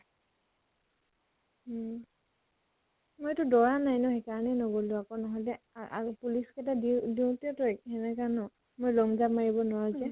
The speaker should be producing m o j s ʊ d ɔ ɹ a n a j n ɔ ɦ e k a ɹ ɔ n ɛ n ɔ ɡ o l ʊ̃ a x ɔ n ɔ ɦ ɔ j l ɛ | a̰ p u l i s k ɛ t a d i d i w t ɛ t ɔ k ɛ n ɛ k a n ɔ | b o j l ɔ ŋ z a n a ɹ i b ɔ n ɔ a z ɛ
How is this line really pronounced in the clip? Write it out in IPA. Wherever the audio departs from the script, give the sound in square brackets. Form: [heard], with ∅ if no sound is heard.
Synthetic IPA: m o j [t] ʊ d ɔ ɹ a n a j n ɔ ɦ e k a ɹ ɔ n ɛ n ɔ ɡ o l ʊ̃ a [k] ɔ n ɔ ɦ ɔ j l ɛ | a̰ p u l i s k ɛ t a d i d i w t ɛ t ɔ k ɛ n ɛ k a n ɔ | [m] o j l ɔ ŋ z a [m] a ɹ i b ɔ n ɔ a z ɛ